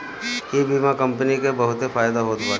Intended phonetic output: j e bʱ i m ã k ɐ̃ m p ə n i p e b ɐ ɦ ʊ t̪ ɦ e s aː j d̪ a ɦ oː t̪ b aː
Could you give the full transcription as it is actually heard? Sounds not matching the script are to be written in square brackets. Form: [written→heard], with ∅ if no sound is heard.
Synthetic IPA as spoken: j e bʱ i m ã k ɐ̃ m p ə n i [p→k] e b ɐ ɦ ʊ t̪ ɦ e [s→f] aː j d̪ a ɦ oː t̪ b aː